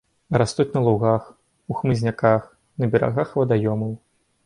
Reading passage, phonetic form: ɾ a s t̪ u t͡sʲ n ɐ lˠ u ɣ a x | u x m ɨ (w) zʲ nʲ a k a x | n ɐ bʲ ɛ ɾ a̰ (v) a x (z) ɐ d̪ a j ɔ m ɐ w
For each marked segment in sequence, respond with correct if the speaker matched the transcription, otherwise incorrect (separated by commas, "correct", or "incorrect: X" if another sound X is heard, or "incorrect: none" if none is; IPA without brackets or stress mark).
incorrect: none, incorrect: ɣ, incorrect: v